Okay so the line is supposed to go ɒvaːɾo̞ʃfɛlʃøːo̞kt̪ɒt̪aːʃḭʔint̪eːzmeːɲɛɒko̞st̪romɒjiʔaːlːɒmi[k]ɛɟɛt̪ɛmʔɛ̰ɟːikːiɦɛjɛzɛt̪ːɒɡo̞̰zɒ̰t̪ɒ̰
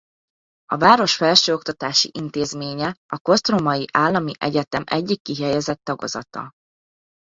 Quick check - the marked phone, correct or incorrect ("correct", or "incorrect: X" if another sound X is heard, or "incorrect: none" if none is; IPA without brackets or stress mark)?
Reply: incorrect: ʔ